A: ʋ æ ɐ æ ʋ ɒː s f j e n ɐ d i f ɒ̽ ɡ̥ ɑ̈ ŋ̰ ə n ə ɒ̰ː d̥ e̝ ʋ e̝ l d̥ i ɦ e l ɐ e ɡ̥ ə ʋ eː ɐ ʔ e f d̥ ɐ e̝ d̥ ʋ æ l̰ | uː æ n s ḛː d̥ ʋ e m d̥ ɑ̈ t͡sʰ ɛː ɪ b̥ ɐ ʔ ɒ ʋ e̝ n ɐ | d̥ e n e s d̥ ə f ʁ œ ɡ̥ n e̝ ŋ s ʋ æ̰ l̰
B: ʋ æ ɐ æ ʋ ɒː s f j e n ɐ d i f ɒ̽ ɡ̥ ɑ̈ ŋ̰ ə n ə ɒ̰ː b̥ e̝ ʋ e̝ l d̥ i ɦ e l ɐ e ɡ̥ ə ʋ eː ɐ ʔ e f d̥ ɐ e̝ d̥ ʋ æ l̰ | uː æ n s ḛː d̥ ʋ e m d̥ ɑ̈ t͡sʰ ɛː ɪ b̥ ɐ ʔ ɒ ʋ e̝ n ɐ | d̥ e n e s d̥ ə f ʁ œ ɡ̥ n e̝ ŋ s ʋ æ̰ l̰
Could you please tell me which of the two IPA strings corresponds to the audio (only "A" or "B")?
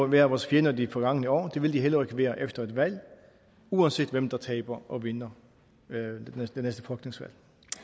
A